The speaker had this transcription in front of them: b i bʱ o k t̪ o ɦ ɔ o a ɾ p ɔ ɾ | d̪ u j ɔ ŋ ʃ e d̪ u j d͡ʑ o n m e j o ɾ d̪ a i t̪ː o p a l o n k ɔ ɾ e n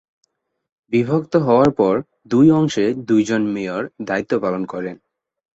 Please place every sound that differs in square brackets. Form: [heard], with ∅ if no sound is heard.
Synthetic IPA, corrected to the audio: b i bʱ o k t̪ o ɦ ɔ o a ɾ p ɔ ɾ | d̪ u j ɔ ŋ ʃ e d̪ u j d͡ʑ o n m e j o ɾ d̪ a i t̪ː o p a l o n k ɔ ɾ e n